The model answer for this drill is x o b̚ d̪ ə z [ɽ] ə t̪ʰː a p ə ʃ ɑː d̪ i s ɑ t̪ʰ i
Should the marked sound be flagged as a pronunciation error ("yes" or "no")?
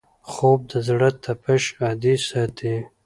no